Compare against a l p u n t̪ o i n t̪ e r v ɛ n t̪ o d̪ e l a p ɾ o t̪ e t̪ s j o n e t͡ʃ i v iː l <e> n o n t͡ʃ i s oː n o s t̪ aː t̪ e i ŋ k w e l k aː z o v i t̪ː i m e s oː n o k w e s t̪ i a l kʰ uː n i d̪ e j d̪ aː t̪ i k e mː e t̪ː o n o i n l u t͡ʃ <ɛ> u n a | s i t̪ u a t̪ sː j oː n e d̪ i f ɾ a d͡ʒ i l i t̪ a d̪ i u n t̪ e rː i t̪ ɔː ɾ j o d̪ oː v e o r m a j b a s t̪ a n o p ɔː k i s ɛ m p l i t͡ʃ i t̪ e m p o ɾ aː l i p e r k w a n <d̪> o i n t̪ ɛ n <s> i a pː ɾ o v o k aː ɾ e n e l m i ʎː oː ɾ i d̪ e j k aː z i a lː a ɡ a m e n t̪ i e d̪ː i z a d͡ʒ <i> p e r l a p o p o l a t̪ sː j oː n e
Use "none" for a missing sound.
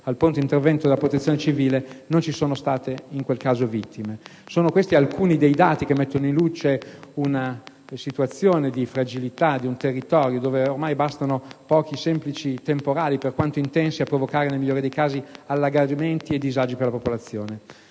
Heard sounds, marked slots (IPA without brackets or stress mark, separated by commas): e, e, t̪, s, i